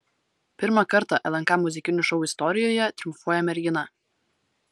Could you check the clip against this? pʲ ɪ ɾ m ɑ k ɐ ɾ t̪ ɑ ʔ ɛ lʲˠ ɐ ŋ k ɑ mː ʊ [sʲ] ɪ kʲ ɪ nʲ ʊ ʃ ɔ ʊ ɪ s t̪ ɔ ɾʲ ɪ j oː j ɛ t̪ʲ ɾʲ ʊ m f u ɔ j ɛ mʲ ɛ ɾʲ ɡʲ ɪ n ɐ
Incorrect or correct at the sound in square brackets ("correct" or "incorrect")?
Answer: incorrect